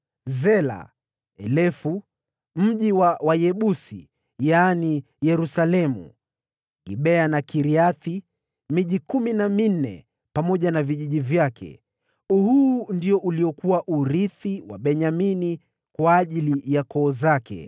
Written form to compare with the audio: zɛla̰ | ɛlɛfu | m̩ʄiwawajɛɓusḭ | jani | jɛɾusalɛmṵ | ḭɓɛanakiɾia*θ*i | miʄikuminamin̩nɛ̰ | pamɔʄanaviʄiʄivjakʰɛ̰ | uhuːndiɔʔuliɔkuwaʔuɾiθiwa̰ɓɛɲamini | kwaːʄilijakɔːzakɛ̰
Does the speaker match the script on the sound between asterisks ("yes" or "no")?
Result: yes